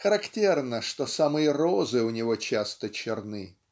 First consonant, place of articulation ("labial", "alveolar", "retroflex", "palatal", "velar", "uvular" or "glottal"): velar